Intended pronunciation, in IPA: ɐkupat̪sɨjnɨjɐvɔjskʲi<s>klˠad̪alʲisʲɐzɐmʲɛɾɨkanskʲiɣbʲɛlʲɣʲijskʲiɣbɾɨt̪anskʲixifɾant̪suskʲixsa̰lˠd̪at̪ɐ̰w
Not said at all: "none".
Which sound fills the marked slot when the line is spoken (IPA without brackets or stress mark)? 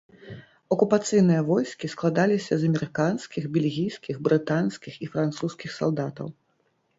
s